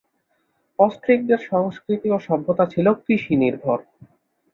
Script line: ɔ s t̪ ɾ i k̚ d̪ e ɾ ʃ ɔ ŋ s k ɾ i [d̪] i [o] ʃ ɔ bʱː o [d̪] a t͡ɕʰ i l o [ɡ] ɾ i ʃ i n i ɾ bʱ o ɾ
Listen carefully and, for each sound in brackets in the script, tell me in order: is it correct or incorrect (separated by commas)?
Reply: incorrect, correct, incorrect, incorrect